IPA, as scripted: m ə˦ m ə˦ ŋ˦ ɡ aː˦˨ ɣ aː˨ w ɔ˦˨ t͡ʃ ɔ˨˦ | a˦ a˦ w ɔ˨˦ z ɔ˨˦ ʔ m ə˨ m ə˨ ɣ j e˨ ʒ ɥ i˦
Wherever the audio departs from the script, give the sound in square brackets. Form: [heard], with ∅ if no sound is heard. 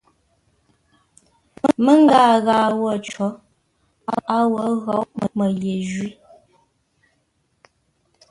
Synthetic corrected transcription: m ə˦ m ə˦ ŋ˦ ɡ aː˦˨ ɣ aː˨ w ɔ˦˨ t͡ʃ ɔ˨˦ | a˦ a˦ w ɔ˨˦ [ɣ] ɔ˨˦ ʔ m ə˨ m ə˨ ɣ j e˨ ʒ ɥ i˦